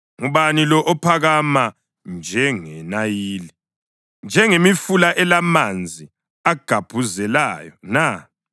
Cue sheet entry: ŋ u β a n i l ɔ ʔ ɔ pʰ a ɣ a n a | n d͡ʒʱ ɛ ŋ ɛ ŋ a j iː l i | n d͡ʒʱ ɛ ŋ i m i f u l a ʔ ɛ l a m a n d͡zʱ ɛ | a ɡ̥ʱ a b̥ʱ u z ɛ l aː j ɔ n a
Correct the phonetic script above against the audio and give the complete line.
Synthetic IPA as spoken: ŋ u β a n i l ɔ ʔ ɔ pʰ a ɣ a m a | n d͡ʒʱ ɛ ŋ ɛ n a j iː l i | n d͡ʒʱ ɛ ŋ e m i f u l a ʔ ɛ l a m a n d͡zʱ i | a ɡ̥ʱ a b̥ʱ u z ɛ l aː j ɔ n a